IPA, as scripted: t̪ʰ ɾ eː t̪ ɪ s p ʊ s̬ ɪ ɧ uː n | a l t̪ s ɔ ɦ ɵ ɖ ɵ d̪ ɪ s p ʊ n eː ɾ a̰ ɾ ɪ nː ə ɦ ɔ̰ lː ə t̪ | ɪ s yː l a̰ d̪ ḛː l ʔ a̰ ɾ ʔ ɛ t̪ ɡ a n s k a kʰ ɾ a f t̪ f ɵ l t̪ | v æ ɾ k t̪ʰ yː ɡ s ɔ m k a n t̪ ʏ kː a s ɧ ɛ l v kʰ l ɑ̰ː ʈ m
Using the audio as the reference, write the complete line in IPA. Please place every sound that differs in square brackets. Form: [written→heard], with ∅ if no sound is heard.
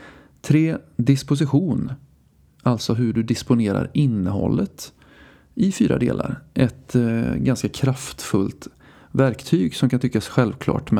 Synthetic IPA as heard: t̪ʰ ɾ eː [t̪→d̪] ɪ s p ʊ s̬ ɪ ɧ uː n | a l t̪ s ɔ ɦ ɵ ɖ ɵ d̪ ɪ s p ʊ n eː ɾ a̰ ɾ ɪ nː ə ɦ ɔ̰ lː ə t̪ | ɪ [s→f] yː [l→ɾ] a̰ d̪ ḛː l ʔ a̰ ɾ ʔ ɛ t̪ ɡ a n s k a kʰ ɾ a f t̪ f ɵ l t̪ | v æ ɾ k t̪ʰ yː ɡ s ɔ m k a n t̪ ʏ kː a s ɧ ɛ l v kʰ l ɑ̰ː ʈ m